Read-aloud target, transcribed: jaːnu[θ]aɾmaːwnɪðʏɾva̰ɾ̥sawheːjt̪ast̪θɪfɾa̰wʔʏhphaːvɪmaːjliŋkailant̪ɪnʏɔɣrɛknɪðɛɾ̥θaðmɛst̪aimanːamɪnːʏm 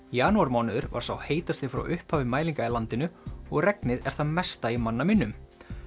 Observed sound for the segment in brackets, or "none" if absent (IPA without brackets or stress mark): none